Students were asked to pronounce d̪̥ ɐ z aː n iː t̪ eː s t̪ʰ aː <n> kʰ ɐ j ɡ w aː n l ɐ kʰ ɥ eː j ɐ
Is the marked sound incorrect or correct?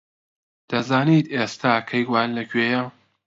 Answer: incorrect